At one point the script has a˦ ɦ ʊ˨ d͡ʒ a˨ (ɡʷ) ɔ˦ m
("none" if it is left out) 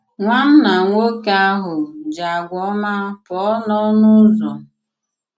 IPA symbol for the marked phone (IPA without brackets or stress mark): ɡʷ